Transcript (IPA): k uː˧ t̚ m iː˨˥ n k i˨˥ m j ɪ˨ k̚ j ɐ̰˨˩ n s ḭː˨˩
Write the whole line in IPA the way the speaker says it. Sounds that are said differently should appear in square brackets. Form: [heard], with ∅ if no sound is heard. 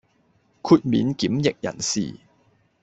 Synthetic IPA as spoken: [kʰ] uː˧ t̚ m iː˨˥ n k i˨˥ m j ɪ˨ k̚ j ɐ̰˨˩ n s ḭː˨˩